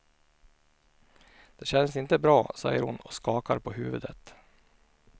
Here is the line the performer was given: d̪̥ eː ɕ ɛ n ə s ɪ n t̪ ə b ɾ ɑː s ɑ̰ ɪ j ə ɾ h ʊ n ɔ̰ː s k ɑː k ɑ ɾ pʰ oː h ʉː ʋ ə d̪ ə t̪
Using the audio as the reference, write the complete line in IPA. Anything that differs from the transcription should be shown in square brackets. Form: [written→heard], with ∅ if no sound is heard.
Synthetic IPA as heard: d̪̥ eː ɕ ɛ n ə s ɪ n t̪ ə b ɾ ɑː s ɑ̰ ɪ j ə ɾ h ʊ n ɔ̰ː s k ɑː k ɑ ɾ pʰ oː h ʉː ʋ ə d̪ ə t̪